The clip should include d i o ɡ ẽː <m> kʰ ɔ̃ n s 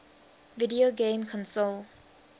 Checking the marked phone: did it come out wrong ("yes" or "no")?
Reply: no